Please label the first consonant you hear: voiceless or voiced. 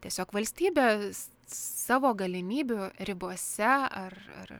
voiceless